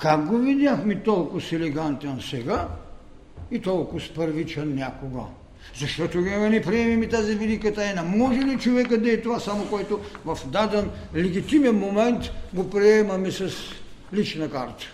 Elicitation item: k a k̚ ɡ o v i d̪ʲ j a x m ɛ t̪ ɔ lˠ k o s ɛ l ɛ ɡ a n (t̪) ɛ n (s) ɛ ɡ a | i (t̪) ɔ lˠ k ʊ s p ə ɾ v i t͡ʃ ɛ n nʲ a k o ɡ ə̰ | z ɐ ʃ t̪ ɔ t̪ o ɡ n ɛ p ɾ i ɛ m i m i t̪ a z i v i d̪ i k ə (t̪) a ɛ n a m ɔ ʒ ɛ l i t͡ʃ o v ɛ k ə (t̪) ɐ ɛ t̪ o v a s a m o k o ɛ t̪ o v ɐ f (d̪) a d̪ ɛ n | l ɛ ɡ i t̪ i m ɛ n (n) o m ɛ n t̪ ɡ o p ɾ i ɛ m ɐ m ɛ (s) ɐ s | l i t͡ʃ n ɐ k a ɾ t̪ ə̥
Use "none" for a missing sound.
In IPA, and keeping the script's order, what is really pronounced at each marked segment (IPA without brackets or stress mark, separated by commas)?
t̪, s, t̪, t̪, d̪, d̪, m, s